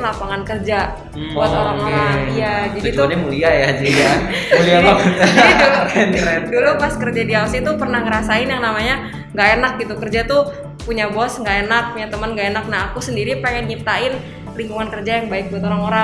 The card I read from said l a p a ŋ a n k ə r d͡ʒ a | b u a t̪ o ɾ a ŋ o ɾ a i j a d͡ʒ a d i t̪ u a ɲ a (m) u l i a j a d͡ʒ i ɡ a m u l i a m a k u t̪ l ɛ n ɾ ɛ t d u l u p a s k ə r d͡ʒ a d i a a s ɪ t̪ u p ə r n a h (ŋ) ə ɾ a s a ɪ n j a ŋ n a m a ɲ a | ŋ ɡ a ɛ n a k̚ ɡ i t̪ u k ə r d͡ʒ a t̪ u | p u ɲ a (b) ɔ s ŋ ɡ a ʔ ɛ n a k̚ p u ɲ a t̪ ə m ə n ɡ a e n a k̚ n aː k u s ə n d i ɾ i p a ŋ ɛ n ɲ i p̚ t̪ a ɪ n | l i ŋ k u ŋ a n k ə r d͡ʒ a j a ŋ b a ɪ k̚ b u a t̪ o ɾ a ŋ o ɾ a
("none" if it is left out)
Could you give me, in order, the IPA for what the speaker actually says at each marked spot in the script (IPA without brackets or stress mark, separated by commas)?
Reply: m, ŋ, b